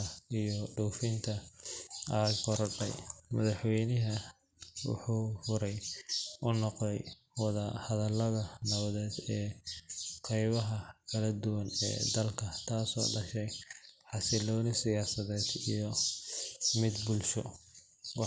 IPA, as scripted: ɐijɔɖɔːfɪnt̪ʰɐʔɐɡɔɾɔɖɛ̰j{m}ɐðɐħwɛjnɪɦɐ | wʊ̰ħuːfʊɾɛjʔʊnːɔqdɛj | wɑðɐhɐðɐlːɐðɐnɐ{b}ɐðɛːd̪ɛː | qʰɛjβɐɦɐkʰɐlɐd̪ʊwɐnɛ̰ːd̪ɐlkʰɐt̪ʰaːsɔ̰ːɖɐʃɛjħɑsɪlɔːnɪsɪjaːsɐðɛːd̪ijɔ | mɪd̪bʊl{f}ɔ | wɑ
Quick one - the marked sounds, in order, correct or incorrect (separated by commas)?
correct, incorrect, incorrect